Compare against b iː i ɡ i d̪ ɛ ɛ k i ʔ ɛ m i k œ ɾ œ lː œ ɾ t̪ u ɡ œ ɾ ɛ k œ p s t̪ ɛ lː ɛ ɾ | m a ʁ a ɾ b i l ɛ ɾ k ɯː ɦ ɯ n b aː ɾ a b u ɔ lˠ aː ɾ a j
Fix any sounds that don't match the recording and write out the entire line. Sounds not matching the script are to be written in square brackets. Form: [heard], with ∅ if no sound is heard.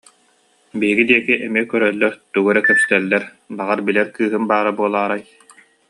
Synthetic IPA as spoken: b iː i ɡ i d̪ [i] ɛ k i ʔ ɛ m i k œ ɾ œ lː œ ɾ t̪ u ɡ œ ɾ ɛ k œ p s t̪ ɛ lː ɛ ɾ | [b] a ʁ a ɾ b i l ɛ ɾ k ɯː ɦ ɯ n b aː ɾ a b u ɔ lˠ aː ɾ a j

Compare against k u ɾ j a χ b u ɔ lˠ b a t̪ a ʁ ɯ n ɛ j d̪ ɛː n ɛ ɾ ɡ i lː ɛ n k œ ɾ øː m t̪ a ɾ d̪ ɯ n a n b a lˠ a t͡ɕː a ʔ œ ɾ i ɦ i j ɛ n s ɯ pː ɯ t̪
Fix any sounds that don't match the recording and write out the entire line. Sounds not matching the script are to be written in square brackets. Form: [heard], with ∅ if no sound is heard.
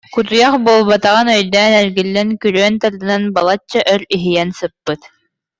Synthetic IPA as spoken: k u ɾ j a χ b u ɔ lˠ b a t̪ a ʁ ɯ n [œ] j d̪ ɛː n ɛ ɾ ɡ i lː ɛ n k [y] ɾ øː [n] t̪ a ɾ d̪ ɯ n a n b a lˠ a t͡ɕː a ʔ œ ɾ i ɦ i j ɛ n s ɯ pː ɯ t̪

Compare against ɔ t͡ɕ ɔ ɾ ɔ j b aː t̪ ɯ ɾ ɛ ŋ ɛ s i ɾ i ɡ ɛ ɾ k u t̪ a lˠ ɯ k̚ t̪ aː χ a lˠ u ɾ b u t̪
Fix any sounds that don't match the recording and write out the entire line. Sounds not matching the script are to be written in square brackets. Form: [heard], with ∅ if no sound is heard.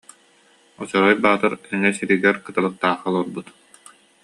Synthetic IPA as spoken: ɔ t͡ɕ ɔ ɾ ɔ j b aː t̪ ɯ ɾ ɛ ŋ ɛ s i ɾ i ɡ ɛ ɾ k [ɯ] t̪ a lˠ ɯ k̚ t̪ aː χ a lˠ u ɾ b u t̪

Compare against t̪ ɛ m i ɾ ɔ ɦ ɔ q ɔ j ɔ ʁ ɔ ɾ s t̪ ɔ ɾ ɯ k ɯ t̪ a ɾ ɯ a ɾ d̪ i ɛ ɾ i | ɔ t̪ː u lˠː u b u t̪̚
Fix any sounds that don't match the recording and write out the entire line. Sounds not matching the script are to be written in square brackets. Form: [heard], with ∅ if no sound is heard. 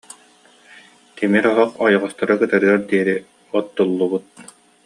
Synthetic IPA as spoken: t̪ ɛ m i ɾ ɔ ɦ ɔ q ɔ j ɔ ʁ ɔ [∅] s t̪ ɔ ɾ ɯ k ɯ t̪ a ɾ ɯ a ɾ d̪ i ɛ ɾ i | ɔ t̪ː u lˠː u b u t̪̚

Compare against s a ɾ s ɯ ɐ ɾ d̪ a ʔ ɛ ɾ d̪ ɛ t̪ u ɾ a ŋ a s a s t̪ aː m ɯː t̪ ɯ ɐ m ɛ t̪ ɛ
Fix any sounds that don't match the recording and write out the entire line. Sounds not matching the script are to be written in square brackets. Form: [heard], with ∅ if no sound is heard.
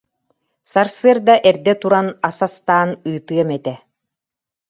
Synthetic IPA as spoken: s a ɾ s ɯ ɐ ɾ d̪ a ʔ ɛ ɾ d̪ ɛ t̪ u ɾ a [n] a s a s t̪ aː [n] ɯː t̪ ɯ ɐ m ɛ t̪ ɛ

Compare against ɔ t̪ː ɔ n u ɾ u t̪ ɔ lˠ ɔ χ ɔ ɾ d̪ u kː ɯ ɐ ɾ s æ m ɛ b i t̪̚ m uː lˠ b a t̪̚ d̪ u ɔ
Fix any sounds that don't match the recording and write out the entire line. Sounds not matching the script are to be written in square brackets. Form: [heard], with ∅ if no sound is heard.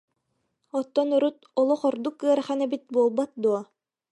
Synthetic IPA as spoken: ɔ t̪ː ɔ n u ɾ u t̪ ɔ lˠ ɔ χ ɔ ɾ d̪ u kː ɯ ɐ ɾ [χ] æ [n] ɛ b i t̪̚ [b] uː lˠ b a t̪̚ d̪ u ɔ

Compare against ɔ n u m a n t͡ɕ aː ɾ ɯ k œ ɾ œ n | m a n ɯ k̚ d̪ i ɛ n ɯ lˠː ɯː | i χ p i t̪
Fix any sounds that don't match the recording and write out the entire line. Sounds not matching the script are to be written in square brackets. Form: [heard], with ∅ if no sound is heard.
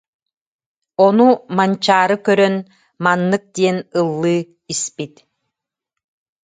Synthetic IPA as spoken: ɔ n u m a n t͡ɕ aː ɾ ɯ k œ ɾ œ n | m a [nː] ɯ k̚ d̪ i ɛ n ɯ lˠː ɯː | i [s] p i t̪

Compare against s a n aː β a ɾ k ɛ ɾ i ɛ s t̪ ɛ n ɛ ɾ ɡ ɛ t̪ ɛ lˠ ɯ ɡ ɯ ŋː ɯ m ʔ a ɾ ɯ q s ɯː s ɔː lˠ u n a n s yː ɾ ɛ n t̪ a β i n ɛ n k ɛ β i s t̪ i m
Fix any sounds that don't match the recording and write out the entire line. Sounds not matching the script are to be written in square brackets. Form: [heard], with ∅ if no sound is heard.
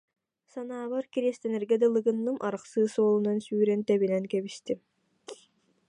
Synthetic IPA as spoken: s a n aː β a ɾ k [i] ɾ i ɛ s t̪ ɛ n ɛ ɾ ɡ ɛ [d̪] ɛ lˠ ɯ ɡ ɯ [nː] ɯ m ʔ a ɾ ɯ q s ɯː s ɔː lˠ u n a n s yː ɾ ɛ n t̪ [ɛ] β i n ɛ n k ɛ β i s t̪ i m

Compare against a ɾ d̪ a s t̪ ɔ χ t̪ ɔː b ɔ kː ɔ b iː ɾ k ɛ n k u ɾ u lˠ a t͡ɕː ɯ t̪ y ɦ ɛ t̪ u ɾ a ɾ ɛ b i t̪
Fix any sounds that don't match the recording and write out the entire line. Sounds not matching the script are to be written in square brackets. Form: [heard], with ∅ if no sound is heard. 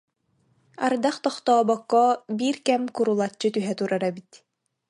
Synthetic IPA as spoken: a ɾ d̪ a [χ] t̪ ɔ χ t̪ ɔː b ɔ kː ɔ b iː ɾ k ɛ [m] k u ɾ u lˠ a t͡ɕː ɯ t̪ y ɦ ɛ t̪ u ɾ a ɾ ɛ b i t̪

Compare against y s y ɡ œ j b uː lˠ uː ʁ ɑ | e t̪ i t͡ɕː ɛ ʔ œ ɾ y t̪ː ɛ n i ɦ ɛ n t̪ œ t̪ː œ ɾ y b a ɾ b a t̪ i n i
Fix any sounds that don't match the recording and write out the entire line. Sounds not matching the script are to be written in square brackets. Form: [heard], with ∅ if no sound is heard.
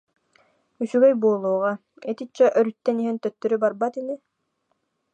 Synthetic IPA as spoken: y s y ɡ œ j b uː lˠ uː ʁ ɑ | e t̪ i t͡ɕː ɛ ʔ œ ɾ y t̪ː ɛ n i ɦ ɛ n t̪ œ t̪ː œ ɾ y b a ɾ b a t̪ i n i

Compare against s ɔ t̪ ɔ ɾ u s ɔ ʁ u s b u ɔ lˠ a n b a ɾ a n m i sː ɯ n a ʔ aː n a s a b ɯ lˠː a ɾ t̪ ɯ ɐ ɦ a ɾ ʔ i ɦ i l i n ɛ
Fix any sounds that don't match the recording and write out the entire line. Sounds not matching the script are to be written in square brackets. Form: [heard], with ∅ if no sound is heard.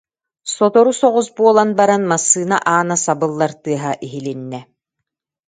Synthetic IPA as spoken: s ɔ t̪ ɔ ɾ u s ɔ ʁ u s b u ɔ lˠ a n b a ɾ a n m [a] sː [ɯː] n a ʔ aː n a s a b ɯ lˠː a ɾ t̪ ɯ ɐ ɦ a [∅] ʔ i ɦ i l i [nː] ɛ

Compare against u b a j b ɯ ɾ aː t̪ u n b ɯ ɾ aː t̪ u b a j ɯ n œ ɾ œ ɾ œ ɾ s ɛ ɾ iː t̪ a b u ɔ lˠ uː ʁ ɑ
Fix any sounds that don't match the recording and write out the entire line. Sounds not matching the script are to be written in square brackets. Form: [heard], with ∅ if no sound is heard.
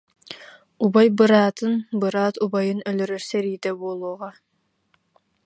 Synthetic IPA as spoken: u b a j b ɯ ɾ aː t̪ [ɯ] n b ɯ ɾ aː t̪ u b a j ɯ n œ [l] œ ɾ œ ɾ s ɛ ɾ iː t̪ [ɛ] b u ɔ lˠ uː ʁ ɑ

